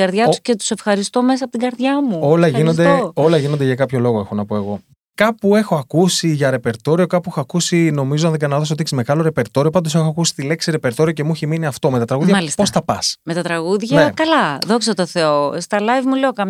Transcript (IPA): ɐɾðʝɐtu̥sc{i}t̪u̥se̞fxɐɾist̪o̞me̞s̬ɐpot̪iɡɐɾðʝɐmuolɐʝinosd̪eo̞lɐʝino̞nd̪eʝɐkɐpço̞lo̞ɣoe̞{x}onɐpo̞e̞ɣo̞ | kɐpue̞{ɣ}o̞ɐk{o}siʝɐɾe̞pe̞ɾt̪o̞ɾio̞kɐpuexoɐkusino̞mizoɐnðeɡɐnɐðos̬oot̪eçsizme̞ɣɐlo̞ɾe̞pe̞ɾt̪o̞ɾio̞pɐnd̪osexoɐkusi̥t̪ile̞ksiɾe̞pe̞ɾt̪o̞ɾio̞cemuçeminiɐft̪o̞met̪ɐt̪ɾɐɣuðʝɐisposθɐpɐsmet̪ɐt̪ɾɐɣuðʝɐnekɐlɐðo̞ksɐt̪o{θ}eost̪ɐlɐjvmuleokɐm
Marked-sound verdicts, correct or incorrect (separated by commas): incorrect, correct, incorrect, incorrect, correct